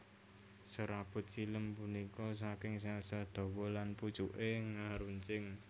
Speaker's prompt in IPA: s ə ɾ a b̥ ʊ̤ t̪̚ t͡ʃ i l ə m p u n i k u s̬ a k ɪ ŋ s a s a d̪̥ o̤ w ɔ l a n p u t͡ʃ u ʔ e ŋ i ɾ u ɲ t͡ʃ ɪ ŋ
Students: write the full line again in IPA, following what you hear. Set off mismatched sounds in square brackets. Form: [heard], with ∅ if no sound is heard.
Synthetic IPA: s ə ɾ a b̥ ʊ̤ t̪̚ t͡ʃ i l ə m p u n i k [ɔ] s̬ a k ɪ ŋ s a s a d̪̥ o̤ w ɔ l a n p u t͡ʃ u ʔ e ŋ [a] ɾ u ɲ t͡ʃ ɪ ŋ